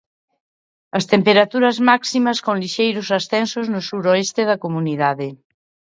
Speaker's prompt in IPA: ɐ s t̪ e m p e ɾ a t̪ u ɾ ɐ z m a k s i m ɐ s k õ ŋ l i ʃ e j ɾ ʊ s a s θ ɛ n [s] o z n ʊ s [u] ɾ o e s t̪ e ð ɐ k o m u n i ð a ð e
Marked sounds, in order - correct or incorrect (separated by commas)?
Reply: correct, correct